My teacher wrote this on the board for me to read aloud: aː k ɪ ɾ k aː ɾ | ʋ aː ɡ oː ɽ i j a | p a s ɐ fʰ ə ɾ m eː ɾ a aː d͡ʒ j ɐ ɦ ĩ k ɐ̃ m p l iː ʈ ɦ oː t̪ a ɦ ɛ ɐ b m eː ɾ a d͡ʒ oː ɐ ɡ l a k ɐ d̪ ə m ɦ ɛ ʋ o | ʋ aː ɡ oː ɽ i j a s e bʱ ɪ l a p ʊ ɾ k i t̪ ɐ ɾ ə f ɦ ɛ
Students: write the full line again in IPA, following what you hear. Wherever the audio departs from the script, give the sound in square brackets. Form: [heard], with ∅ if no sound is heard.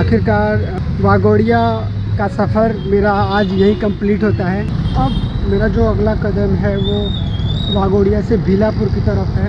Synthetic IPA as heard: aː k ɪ ɾ k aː ɾ | ʋ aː ɡ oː ɽ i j a | [k] a s ɐ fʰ ə ɾ m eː ɾ a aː d͡ʒ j ɐ ɦ ĩ k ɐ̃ m p l iː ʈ ɦ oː t̪ a ɦ ɛ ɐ b m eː ɾ a d͡ʒ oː ɐ ɡ l a k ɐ d̪ ə m ɦ ɛ ʋ o | ʋ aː ɡ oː ɽ i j a s e bʱ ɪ l a p ʊ ɾ k i t̪ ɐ ɾ ə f ɦ ɛ